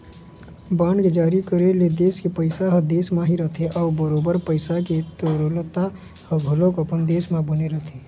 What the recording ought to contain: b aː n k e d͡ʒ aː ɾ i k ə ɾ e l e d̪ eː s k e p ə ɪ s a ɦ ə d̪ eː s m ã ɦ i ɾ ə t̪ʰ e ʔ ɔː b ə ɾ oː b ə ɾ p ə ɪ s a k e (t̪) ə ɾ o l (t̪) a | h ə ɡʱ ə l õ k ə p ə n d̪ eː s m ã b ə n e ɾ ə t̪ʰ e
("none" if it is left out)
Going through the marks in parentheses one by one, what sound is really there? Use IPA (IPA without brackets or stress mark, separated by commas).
t̪, t̪